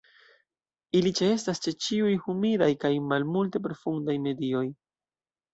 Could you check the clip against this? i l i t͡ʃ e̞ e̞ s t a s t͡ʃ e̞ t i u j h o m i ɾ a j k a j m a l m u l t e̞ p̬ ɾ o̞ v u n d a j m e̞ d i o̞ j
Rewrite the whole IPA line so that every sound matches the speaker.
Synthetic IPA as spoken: i l i t͡ʃ e̞ e̞ s t a s t͡ʃ e̞ t͡ʃ i u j h u m i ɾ a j k a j m a l m u l t e̞ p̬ ɾ o̞ f u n d a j m e̞ d i o̞ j